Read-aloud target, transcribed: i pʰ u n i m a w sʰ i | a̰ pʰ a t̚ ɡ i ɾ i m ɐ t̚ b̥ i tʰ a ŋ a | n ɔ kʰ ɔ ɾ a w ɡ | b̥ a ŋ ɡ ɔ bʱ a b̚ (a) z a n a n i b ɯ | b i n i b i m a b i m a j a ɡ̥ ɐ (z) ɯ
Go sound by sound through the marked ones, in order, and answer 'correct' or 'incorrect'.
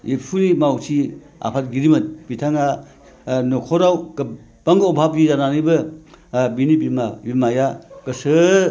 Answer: incorrect: i, incorrect: s

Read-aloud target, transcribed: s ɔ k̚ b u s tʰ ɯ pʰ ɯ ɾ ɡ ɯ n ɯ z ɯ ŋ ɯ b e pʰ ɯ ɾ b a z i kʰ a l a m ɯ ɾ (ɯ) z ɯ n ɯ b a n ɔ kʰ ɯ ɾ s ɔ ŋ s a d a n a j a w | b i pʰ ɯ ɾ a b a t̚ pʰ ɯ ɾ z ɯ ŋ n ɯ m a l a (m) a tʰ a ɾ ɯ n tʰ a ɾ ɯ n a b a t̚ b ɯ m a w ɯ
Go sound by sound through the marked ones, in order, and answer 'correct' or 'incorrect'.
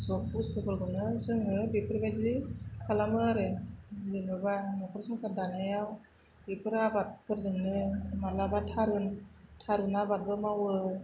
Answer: correct, incorrect: b

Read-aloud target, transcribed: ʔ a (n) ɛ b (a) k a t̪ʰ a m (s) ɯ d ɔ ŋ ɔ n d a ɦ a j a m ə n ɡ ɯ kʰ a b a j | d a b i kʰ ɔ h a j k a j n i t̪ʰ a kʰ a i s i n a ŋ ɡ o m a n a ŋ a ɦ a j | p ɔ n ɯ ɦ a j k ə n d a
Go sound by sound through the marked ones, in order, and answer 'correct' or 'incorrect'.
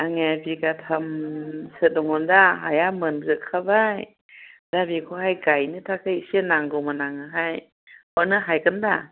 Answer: incorrect: ŋ, incorrect: i, correct

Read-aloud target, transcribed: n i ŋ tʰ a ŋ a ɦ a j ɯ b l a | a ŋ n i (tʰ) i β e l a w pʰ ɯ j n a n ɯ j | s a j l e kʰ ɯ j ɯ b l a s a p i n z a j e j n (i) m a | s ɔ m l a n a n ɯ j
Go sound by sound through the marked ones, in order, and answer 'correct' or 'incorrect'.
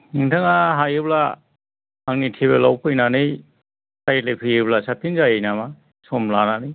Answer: correct, incorrect: a

